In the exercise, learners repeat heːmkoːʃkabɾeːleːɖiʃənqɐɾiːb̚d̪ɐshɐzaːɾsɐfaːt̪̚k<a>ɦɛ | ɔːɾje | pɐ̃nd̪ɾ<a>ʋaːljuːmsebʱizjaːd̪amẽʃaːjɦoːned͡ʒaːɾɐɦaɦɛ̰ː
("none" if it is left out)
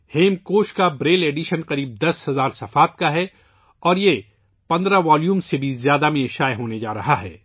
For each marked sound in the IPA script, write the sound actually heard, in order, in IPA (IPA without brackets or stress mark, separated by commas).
a, a